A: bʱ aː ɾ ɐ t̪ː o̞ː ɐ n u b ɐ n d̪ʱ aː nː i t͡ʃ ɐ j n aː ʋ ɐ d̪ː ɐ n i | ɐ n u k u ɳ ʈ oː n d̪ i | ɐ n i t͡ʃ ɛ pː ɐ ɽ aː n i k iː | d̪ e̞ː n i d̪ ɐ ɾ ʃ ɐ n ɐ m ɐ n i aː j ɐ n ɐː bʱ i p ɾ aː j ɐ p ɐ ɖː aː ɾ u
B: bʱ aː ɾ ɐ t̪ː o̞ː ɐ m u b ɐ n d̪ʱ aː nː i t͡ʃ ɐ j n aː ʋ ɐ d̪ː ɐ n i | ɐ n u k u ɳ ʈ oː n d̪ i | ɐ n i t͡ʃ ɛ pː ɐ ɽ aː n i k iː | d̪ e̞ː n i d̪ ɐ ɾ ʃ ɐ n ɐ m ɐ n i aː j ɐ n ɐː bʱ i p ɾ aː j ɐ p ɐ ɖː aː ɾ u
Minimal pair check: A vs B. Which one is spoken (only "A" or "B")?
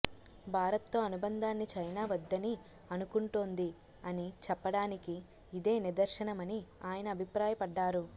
A